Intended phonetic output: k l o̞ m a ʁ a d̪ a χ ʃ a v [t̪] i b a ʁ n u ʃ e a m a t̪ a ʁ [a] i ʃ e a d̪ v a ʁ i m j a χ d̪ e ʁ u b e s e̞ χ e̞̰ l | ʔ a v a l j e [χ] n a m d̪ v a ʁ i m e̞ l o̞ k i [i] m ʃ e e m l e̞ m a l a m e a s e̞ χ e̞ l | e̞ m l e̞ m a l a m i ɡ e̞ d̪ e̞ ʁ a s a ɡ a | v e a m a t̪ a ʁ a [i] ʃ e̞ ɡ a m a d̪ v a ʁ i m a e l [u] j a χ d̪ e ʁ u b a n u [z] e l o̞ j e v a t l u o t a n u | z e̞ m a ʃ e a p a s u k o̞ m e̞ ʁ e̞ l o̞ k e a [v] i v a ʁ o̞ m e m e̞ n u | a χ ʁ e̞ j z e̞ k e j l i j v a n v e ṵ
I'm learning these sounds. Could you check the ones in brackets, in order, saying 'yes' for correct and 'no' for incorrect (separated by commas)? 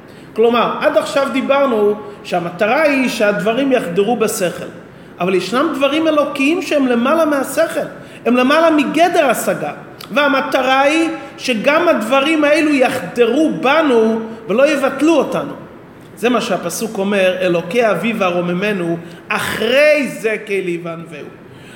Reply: no, yes, no, yes, yes, yes, no, yes